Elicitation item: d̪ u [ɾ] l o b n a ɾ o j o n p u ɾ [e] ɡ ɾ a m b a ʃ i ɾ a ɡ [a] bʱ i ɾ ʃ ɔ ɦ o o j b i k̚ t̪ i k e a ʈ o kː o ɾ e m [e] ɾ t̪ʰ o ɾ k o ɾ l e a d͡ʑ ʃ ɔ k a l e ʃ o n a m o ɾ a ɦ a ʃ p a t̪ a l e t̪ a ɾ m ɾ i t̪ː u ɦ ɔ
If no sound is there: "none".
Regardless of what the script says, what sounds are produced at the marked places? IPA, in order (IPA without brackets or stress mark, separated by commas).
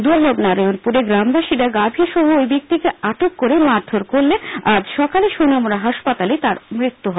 ɾ, e, a, a